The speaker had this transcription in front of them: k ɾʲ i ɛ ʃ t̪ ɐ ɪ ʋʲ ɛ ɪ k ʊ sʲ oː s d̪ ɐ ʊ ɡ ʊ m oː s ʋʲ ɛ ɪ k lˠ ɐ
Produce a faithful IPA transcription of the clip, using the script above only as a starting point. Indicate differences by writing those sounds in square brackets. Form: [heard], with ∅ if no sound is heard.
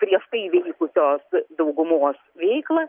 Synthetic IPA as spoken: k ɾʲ i ɛ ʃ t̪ ɐ ɪ ʋʲ ɛ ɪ k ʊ sʲ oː s d̪ ɐ ʊ ɡ ʊ m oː s ʋʲ ɛ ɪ k lˠ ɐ